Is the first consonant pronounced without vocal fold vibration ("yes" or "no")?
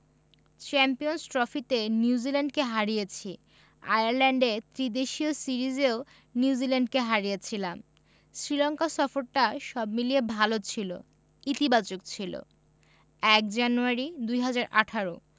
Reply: yes